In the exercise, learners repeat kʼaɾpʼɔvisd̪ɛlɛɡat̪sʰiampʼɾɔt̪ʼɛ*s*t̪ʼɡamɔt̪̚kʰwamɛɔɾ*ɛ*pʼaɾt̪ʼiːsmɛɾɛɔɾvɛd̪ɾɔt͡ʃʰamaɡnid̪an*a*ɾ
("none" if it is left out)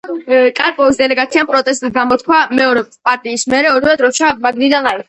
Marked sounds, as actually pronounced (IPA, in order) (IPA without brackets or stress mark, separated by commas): s, ɛ, a